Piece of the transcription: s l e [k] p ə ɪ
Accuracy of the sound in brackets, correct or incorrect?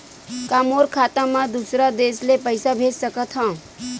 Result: incorrect